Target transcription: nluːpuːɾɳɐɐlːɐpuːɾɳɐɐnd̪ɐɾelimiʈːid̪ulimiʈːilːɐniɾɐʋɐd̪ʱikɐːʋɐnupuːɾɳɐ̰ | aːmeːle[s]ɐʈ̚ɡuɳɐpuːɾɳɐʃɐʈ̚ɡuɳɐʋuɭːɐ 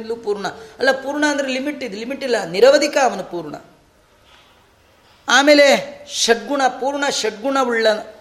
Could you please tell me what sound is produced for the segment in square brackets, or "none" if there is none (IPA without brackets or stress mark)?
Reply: ʃ